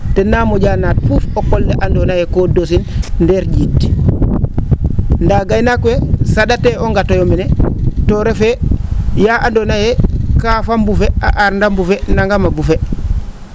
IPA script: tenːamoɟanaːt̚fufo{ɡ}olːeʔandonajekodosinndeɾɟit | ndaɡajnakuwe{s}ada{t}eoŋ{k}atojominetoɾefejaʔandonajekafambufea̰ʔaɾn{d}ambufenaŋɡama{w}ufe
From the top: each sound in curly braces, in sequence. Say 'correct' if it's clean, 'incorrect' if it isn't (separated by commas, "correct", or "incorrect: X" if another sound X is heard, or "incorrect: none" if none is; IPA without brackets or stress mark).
incorrect: k, correct, correct, incorrect: ɡ, correct, incorrect: b